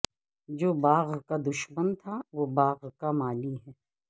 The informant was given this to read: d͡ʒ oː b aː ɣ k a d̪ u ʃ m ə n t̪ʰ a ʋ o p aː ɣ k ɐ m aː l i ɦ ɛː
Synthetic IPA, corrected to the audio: d͡ʒ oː b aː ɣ k a d̪ ʊ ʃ m ə n t̪ʰ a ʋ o b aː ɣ k a m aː l i ɦ ɛː